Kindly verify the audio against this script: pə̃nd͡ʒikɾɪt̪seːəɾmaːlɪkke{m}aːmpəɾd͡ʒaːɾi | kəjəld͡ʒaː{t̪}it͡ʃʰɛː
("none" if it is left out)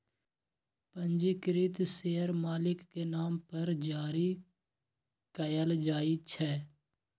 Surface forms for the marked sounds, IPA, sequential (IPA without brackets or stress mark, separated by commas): n, none